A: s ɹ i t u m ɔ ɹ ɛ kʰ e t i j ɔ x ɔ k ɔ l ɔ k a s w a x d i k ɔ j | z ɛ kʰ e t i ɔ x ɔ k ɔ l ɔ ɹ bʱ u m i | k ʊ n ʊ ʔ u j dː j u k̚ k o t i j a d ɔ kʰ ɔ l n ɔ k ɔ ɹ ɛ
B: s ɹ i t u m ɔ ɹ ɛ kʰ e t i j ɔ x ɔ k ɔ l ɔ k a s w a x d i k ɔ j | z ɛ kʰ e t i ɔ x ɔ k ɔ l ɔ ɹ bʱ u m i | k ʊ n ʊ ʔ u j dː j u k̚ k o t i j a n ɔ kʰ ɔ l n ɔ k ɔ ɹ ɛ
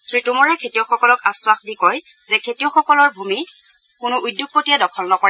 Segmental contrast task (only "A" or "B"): A